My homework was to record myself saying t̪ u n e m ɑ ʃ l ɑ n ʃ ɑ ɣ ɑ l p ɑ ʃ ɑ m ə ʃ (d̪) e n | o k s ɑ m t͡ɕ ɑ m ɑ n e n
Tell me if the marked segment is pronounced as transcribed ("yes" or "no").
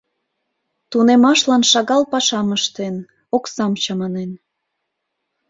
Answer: no